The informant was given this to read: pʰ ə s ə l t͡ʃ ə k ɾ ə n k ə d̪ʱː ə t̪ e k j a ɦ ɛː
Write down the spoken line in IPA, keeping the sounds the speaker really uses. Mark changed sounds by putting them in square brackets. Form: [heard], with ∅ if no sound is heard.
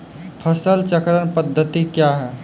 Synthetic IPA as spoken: pʰ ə s ə l t͡ʃ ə k ɾ ə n [p] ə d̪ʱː ə t̪ [i] k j a ɦ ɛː